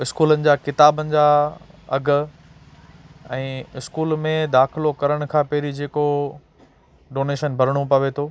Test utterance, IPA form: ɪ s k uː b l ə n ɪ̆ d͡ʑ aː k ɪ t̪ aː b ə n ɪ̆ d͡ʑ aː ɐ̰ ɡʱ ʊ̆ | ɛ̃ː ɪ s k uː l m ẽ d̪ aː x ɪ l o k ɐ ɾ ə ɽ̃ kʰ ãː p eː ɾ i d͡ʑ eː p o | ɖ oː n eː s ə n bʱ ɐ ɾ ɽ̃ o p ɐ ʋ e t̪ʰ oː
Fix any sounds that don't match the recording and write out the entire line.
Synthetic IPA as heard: ɪ s k uː l ə n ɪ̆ d͡ʑ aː k ɪ t̪ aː b ə n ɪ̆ d͡ʑ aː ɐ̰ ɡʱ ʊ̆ | ɛ̃ː ɪ s k uː l m ẽ d̪ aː x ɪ l o k ɐ ɾ ə ɽ̃ kʰ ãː p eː ɾ i d͡ʑ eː k o | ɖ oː n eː ʃ ə n bʱ ɐ ɾ ɽ̃ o p ɐ ʋ e t̪ʰ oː